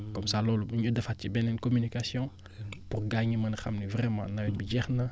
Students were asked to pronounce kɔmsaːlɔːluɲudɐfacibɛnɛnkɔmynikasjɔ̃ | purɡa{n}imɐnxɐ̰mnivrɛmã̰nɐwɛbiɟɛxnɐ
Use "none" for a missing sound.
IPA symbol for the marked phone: ɲ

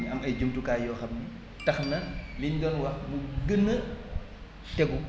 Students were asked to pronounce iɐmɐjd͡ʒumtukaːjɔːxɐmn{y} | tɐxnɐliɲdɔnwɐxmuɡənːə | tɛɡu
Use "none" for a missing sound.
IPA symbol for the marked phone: i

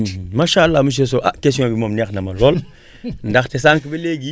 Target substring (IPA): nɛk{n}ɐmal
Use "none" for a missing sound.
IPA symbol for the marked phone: n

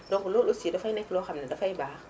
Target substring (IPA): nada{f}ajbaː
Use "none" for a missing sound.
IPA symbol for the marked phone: f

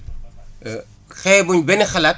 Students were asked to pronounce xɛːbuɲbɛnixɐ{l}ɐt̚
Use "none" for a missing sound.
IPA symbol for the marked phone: l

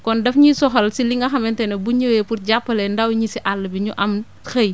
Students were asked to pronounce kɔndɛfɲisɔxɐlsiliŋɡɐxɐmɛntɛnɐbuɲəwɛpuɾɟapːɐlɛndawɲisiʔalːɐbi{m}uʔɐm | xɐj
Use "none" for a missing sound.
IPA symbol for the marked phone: ɲ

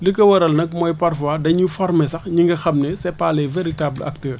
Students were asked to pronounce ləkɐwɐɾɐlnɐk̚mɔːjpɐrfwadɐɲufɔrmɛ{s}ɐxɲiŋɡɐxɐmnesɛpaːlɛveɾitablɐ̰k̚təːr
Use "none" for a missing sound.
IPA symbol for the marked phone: s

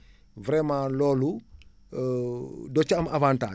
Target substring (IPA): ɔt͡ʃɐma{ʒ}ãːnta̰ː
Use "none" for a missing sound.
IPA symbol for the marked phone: v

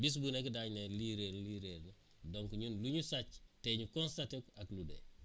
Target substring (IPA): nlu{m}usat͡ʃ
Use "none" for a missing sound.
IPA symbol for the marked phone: ɲ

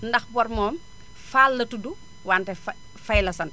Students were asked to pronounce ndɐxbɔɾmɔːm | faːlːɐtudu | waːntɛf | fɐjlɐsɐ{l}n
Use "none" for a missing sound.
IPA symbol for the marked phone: none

